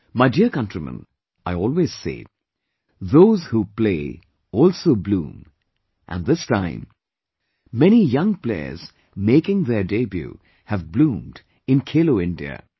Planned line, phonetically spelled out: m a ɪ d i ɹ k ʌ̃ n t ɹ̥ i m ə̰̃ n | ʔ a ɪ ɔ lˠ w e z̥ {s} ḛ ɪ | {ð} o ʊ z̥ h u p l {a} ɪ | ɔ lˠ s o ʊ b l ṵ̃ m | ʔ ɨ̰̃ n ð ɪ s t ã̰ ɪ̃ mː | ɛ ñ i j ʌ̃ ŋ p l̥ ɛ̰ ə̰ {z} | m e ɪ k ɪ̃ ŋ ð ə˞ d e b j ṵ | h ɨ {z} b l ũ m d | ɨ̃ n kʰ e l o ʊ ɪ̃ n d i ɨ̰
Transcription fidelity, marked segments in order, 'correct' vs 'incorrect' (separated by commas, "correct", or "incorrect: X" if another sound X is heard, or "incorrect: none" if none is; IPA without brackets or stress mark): correct, correct, incorrect: e, correct, incorrect: v